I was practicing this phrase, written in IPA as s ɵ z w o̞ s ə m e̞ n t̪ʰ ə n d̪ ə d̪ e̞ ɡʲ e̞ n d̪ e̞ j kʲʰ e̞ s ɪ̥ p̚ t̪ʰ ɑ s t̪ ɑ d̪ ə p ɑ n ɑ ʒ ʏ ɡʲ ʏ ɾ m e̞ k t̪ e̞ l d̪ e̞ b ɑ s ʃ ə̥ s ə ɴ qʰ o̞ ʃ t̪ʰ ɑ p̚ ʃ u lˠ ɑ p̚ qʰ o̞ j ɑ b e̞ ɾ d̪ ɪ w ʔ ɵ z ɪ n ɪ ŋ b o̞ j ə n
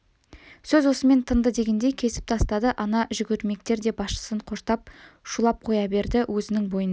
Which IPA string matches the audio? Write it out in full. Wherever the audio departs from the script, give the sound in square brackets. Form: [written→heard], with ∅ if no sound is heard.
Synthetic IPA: s ɵ z w o̞ s ə m e̞ n t̪ʰ ə n d̪ ə d̪ e̞ ɡʲ e̞ n d̪ e̞ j kʲʰ e̞ s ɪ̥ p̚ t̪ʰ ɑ s t̪ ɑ d̪ ə [p→ʔ] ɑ n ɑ ʒ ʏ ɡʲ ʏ ɾ m e̞ k t̪ e̞ [l→ɾ] d̪ e̞ b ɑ s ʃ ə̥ s ə ɴ qʰ o̞ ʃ [t̪ʰ→t̪] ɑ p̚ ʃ u lˠ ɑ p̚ qʰ o̞ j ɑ b e̞ ɾ d̪ ɪ w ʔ ɵ z ɪ n ɪ ŋ b o̞ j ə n